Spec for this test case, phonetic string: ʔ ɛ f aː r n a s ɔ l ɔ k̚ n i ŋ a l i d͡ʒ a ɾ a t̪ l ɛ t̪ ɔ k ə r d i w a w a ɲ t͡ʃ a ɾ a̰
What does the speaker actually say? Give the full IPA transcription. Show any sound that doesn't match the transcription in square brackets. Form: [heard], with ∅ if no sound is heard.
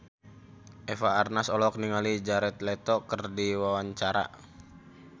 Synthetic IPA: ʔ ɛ f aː r n a s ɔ l ɔ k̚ n i ŋ a l i d͡ʒ a ɾ [ɛ] t̪ l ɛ t̪ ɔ k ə r d i w a w a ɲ t͡ʃ a ɾ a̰